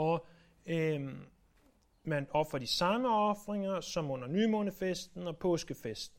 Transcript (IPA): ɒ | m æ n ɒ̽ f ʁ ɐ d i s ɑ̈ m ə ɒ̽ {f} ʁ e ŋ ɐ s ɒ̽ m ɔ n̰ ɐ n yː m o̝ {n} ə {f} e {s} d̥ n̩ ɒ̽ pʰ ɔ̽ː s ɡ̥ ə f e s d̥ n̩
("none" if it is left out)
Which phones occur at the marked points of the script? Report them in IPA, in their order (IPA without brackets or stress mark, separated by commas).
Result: f, n, f, s